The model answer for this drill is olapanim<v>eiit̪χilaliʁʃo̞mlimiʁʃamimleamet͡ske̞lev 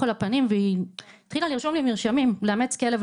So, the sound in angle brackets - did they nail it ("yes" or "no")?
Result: yes